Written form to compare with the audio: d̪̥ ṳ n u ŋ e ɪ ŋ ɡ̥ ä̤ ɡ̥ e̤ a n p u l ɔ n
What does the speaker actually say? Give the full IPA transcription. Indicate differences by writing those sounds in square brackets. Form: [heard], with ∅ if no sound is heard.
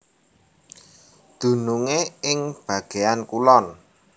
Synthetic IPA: d̪̥ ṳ n u ŋ e ɪ ŋ [b̥] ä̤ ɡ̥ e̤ a n [k] u l ɔ n